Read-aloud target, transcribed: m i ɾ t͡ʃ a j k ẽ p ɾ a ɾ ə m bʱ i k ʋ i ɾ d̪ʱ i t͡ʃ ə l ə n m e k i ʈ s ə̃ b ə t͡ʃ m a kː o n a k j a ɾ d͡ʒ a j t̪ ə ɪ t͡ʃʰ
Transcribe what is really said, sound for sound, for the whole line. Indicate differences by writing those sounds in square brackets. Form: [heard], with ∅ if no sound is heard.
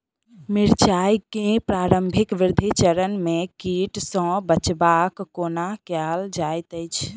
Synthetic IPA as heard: m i ɾ t͡ʃ a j k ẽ p ɾ a ɾ ə m bʱ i k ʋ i ɾ d̪ʱ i t͡ʃ ə [ɾ] ə n m e k i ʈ s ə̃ b ə t͡ʃ [b] a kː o n a k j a [l] d͡ʒ a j t̪ ə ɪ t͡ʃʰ